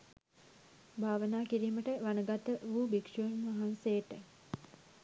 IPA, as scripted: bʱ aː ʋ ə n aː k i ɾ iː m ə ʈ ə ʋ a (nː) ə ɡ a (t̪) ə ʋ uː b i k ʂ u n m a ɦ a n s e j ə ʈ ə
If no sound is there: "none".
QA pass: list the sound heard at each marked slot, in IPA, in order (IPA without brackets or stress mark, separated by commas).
n, t̪